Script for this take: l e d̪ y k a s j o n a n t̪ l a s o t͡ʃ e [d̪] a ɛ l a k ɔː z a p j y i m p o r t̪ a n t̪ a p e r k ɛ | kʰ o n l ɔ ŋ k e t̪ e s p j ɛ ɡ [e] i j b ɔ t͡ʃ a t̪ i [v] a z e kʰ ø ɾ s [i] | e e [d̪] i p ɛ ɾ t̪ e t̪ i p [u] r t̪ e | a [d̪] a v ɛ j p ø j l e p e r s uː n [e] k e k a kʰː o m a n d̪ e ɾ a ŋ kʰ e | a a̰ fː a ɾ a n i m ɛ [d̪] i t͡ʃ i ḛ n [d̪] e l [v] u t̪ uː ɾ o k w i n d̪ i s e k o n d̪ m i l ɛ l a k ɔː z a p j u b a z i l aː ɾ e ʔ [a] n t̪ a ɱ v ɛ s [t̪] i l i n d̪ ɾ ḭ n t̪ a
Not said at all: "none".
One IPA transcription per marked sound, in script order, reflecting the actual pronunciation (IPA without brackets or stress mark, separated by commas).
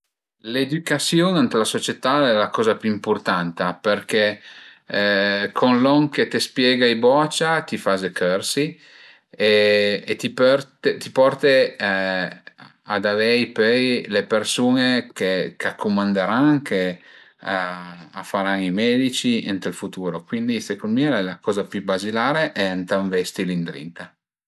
t̪, a, f, i, t̪, ɔ, d̪, e, d̪, t̪, f, ɛ, t̪